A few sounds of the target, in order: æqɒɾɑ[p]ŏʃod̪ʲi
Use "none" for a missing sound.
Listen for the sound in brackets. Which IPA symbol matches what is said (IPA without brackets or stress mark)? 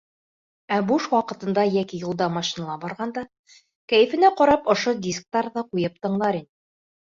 p